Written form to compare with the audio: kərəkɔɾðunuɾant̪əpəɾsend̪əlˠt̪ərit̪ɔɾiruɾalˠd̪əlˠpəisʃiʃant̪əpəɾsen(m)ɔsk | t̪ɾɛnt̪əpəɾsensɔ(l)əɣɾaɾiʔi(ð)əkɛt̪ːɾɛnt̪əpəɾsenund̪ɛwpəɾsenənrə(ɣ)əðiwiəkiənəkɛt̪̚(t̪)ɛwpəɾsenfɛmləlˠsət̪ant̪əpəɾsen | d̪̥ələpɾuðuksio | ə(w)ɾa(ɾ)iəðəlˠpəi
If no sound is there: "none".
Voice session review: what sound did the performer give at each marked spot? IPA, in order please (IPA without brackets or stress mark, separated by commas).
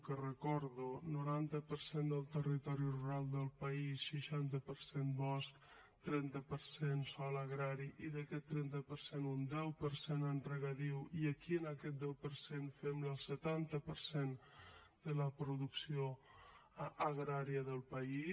b, l, ð, ɣ, d̪, ɣ, ɾ